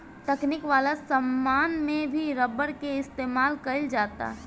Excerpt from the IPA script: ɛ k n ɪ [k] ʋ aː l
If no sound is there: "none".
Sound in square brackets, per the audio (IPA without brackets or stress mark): k